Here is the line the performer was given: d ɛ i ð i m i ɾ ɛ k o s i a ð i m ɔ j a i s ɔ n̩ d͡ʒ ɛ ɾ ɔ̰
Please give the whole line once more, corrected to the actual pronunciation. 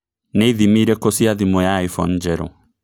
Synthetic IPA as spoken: n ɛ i ð i m i ɾ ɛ k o s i a ð i m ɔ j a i f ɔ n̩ d͡ʒ ɛ ɾ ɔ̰